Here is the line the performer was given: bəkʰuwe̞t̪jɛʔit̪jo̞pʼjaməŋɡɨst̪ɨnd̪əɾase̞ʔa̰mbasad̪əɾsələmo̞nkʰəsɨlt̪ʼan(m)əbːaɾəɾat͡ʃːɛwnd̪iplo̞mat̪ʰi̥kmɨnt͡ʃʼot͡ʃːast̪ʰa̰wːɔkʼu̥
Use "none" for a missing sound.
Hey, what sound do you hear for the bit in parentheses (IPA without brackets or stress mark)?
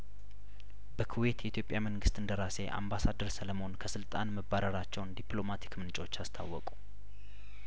m